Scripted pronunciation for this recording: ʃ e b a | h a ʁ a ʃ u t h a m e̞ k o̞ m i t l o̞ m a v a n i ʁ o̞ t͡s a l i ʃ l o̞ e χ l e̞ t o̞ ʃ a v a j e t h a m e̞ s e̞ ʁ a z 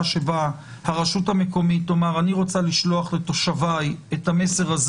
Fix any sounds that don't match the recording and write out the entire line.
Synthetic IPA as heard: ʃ e b a | h a ʁ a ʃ u t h a m e̞ k o̞ m i t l o̞ m a ʁ a n i ʁ o̞ t͡s a l i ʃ l o̞ a χ l e̞ t o̞ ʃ a v a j e t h a m e̞ s e̞ ʁ a z